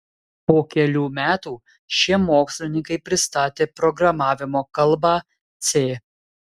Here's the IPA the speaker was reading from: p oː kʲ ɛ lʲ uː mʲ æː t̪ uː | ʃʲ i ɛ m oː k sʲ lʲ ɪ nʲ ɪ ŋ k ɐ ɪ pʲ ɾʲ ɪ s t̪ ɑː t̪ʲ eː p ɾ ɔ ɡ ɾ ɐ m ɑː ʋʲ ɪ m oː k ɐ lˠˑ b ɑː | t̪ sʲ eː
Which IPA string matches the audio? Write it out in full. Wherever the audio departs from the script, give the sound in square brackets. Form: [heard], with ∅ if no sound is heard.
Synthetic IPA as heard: p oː kʲ ɛ lʲ uː mʲ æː t̪ uː | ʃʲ i ɛ m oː k sʲ lʲ ɪ nʲ ɪ ŋ k ɐ ɪ pʲ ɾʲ ɪ s t̪ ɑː t̪ʲ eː p ɾ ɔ ɡ ɾ ɐ m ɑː ʋʲ ɪ m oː k ɐ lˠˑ b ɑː | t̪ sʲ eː